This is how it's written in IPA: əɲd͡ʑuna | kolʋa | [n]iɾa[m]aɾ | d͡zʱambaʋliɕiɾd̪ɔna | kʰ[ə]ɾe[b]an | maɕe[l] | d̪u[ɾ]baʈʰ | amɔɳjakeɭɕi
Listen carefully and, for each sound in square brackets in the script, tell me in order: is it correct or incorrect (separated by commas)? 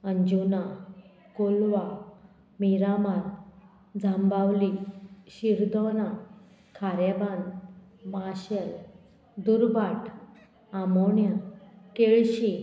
incorrect, correct, incorrect, correct, correct, correct